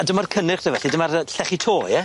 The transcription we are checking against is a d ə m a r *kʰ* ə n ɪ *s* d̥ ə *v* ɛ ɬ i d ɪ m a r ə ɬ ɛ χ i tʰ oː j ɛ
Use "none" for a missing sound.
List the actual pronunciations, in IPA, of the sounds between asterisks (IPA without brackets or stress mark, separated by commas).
kʰ, χ, v